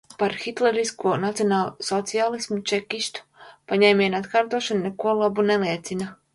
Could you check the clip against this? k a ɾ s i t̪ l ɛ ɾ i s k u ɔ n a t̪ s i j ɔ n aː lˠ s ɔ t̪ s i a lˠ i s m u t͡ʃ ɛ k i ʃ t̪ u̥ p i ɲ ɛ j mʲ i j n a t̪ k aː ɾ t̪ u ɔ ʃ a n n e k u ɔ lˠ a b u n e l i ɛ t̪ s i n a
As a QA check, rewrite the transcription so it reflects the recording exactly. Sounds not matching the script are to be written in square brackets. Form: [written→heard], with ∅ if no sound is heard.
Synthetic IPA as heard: [k→p] a ɾ [s→x] i t̪ l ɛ ɾ i s k u ɔ n a t̪ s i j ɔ n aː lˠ s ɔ t̪ s i a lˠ i s m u t͡ʃ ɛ k i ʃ t̪ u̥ p [i→a] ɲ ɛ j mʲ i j n a t̪ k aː ɾ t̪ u ɔ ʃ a n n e k u ɔ lˠ a b u n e l i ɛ t̪ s i n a